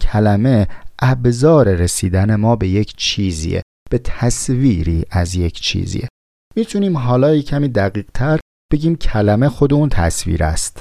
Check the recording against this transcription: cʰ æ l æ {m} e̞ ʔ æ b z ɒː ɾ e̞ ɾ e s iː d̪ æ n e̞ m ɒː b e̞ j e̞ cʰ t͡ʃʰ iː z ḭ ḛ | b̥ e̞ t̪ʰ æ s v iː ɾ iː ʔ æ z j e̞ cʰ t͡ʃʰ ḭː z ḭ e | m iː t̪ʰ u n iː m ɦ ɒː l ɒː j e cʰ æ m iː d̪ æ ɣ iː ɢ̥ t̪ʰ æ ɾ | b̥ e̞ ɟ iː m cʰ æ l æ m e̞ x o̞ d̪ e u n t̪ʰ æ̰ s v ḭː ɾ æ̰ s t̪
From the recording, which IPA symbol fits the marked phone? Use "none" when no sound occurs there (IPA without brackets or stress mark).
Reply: m